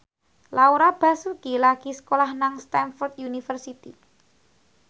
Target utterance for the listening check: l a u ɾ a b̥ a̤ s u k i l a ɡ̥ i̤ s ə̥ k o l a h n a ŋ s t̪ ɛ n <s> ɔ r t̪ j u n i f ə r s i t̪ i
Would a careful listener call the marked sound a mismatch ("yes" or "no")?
yes